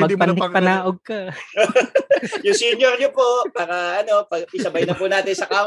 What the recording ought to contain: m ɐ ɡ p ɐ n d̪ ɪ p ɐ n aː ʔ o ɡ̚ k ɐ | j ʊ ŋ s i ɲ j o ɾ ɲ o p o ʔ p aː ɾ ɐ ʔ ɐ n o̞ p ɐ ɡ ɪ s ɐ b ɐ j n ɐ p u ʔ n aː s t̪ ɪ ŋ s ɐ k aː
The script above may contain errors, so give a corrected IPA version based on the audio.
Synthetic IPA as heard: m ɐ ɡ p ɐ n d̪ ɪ p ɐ n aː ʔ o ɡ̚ k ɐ | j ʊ ŋ s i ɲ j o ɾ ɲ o p o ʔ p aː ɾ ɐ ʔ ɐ n o̞ p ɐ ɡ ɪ s ɐ b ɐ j n ɐ p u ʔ n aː t̪ ɪ n s ɐ k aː